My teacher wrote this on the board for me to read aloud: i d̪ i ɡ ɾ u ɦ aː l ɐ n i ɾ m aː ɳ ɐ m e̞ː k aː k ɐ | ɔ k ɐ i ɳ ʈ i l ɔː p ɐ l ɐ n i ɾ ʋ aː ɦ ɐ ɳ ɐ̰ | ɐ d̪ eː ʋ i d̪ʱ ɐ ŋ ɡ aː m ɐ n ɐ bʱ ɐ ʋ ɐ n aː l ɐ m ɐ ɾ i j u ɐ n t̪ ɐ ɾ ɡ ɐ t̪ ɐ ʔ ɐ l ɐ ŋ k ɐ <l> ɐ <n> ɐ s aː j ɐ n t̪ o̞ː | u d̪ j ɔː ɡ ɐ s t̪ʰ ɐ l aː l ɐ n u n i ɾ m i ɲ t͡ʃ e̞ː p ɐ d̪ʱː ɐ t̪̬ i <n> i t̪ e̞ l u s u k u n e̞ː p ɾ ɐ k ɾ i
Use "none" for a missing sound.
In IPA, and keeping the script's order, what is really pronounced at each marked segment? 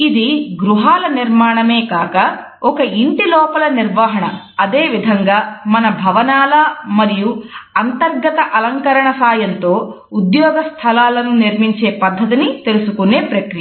ɾ, ɳ, n

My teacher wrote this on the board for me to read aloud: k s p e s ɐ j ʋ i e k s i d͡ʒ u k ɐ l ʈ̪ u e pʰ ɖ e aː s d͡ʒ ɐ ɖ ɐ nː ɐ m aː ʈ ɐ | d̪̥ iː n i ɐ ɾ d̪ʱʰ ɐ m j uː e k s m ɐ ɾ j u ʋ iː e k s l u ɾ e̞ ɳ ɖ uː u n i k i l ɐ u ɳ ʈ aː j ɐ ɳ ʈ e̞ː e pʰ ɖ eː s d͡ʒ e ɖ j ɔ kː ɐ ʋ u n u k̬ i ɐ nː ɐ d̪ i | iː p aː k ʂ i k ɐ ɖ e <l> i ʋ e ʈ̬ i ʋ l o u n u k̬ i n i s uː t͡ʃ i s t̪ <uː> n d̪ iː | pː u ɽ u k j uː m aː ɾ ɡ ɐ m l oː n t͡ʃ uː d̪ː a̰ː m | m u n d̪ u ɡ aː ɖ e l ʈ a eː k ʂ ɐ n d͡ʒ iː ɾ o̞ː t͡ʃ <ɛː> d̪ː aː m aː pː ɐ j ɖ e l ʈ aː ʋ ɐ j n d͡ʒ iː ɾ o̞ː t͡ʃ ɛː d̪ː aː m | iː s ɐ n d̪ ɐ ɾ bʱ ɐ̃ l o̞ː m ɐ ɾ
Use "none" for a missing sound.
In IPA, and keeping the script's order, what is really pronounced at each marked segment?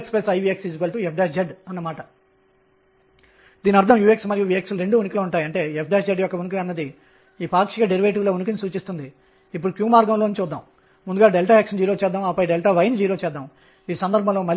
ɾ, u, ɛː

